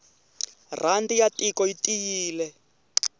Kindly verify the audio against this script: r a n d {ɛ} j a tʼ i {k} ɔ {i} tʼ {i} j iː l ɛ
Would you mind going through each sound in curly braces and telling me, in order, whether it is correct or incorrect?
incorrect: i, correct, correct, correct

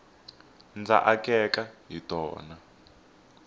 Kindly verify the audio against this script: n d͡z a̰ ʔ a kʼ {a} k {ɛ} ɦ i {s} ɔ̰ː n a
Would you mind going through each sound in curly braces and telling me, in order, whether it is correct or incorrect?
incorrect: ɛ, incorrect: a, incorrect: t

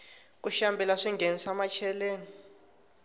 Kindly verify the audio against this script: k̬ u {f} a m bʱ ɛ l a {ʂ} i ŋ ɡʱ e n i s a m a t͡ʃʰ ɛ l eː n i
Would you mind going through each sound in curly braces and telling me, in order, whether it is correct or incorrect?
incorrect: ʃ, correct

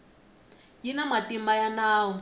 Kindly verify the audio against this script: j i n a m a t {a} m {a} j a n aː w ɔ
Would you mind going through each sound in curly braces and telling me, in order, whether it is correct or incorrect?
incorrect: i, correct

